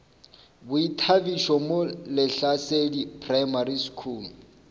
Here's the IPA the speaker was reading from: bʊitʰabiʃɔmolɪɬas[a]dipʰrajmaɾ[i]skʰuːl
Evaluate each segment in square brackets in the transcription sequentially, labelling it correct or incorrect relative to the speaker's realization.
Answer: incorrect: e, correct

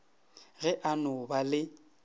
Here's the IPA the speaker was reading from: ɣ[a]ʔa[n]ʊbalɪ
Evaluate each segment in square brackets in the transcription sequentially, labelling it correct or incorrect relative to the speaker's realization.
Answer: incorrect: ɛ, correct

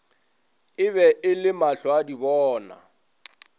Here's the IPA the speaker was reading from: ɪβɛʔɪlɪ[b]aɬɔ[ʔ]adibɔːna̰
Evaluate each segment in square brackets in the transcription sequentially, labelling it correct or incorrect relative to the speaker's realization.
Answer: incorrect: m, incorrect: none

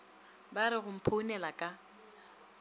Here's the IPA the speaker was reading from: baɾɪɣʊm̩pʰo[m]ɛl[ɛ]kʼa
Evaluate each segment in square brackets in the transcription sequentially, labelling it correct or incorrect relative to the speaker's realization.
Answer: incorrect: n, incorrect: a

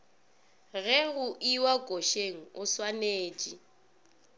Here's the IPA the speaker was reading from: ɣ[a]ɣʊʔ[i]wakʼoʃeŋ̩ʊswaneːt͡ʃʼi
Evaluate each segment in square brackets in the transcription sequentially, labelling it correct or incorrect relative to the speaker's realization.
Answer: incorrect: ɛ, correct

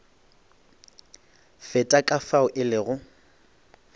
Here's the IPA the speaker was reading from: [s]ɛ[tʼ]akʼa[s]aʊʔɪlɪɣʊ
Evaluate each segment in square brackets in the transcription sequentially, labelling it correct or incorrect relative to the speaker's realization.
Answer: incorrect: f, correct, incorrect: f

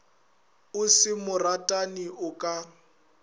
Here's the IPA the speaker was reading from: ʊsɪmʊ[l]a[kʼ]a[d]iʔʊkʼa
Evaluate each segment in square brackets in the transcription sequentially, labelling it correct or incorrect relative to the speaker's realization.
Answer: incorrect: r, incorrect: tʼ, incorrect: n

